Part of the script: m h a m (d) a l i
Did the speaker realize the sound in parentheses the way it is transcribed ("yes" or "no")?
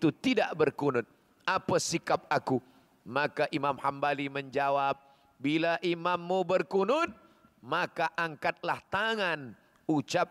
no